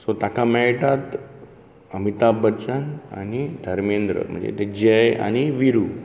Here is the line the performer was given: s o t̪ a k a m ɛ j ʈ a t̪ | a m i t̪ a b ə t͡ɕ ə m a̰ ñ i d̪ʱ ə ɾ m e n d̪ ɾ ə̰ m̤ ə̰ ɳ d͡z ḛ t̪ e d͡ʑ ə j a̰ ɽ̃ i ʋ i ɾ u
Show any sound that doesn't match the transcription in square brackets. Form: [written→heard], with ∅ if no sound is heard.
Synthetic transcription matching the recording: s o t̪ a k a m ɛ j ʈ a t̪ | [a→ə] m i t̪ a b ə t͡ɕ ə [m→n] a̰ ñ i d̪ʱ ə ɾ m e n d̪ ɾ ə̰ m̤ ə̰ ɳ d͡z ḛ t̪ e d͡ʑ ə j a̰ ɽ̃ i ʋ i ɾ u